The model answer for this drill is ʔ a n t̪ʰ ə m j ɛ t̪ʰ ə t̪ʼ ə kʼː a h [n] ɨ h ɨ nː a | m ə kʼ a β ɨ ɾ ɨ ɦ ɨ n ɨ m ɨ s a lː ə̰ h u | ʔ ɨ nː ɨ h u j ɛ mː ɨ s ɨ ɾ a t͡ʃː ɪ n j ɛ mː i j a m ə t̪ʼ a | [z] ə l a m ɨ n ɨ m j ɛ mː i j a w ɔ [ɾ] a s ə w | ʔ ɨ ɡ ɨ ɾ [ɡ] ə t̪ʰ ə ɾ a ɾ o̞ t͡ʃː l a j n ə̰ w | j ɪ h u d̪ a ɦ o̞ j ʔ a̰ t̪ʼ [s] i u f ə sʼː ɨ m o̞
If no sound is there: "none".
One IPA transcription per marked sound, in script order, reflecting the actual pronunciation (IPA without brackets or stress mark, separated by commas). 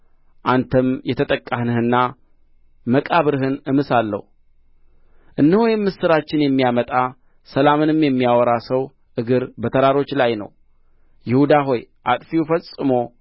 n, s, ɾ, b, f